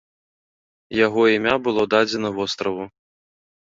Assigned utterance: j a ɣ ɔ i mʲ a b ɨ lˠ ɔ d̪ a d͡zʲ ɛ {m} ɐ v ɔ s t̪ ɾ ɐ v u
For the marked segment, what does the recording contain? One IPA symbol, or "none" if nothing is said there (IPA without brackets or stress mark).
n